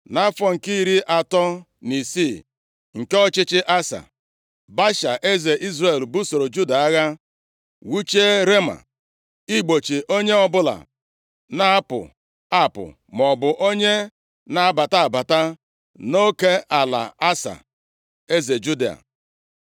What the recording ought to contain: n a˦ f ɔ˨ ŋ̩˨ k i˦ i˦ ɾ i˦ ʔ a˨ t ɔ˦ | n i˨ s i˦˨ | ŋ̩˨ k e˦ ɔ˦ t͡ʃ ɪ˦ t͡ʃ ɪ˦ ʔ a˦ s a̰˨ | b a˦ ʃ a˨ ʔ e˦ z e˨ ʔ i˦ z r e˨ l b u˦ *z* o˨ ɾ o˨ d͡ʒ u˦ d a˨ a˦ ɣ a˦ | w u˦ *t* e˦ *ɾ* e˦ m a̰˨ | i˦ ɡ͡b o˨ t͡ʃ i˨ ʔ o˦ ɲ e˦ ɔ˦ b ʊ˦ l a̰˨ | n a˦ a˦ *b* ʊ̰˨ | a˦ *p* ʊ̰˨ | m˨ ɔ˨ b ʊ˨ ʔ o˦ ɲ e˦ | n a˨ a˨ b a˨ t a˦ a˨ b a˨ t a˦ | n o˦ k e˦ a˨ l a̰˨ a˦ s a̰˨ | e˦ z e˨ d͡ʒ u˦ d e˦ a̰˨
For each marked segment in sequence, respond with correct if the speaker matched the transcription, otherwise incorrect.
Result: incorrect, incorrect, correct, incorrect, correct

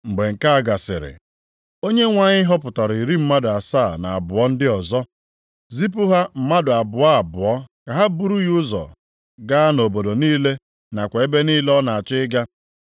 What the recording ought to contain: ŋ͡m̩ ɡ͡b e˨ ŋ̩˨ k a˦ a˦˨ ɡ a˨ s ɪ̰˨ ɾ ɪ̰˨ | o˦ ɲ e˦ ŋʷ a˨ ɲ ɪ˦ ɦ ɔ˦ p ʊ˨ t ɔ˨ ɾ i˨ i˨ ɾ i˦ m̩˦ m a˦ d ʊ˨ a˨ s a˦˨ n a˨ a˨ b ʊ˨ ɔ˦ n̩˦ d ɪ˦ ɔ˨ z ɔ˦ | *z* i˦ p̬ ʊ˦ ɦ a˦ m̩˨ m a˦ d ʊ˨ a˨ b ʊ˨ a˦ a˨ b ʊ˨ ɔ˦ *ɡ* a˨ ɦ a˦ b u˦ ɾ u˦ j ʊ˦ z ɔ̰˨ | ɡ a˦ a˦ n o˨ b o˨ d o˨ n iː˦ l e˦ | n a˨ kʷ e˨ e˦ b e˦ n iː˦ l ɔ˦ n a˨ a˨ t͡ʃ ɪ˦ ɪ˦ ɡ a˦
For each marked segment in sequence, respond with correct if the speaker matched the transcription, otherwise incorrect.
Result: correct, incorrect

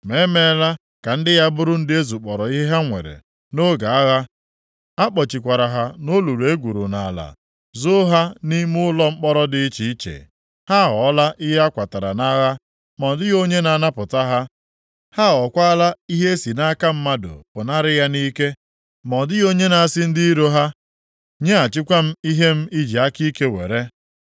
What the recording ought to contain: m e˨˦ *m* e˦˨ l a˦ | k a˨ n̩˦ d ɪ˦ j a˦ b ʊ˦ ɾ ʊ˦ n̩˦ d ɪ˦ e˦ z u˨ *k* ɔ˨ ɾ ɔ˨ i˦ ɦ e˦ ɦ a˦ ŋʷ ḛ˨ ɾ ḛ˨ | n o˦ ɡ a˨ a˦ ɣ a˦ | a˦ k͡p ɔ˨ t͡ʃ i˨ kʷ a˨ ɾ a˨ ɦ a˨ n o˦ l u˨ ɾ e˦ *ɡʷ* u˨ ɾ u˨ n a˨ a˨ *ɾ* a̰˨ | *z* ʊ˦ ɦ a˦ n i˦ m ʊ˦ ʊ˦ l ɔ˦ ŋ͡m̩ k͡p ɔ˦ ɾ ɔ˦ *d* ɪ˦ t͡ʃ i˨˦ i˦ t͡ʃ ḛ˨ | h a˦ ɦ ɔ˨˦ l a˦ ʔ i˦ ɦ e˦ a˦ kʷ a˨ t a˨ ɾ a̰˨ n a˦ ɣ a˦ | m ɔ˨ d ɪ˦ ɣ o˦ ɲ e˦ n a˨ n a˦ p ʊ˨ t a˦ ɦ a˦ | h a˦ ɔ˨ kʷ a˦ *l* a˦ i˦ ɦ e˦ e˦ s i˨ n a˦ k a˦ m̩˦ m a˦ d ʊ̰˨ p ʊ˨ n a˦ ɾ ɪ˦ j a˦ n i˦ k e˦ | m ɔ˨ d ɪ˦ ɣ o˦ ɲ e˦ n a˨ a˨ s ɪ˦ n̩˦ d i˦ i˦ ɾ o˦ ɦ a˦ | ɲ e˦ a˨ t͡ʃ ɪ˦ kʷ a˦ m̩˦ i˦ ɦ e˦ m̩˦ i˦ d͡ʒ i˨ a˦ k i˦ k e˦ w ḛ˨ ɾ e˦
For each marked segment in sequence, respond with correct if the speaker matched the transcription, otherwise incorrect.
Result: correct, incorrect, correct, incorrect, correct, correct, correct

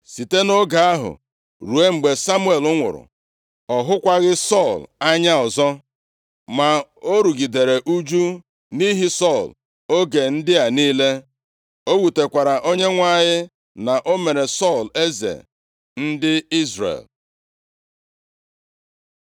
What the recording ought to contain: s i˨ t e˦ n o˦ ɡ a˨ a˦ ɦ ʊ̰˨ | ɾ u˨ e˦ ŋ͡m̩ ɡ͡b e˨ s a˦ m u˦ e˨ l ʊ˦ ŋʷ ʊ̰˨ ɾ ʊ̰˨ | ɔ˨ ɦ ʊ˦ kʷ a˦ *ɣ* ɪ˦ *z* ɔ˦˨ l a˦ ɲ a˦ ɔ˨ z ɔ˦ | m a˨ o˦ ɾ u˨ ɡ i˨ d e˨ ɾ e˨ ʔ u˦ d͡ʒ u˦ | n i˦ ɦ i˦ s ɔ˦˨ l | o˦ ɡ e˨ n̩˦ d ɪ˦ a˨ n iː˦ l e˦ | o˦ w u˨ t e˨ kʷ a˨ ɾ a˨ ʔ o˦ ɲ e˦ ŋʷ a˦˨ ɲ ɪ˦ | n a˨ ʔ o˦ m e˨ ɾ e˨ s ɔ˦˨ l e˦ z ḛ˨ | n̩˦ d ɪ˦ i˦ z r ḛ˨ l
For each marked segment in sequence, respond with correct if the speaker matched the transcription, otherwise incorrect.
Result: correct, incorrect

